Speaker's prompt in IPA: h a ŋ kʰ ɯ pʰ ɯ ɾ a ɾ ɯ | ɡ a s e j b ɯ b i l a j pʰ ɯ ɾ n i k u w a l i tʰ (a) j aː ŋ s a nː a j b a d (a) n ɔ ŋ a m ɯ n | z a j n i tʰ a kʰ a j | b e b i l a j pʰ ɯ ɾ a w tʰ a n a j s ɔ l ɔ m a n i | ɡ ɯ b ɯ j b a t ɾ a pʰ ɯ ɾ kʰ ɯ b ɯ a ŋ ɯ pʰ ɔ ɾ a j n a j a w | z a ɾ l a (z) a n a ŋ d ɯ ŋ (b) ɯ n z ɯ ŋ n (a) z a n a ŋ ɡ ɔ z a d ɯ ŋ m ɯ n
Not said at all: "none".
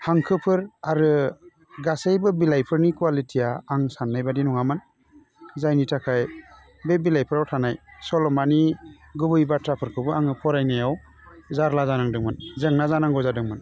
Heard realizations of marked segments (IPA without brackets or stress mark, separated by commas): i, i, z, m, a